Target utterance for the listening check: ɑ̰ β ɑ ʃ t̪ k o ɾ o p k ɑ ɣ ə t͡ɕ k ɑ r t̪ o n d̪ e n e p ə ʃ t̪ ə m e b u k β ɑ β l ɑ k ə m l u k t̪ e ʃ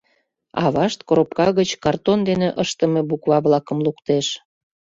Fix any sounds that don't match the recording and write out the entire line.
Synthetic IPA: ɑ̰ β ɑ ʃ t̪ k o ɾ o p k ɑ ɣ ə t͡ɕ k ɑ r t̪ o n d̪ e n e ʔ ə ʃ t̪ ə m e b u k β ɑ β l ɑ k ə m l u k t̪ e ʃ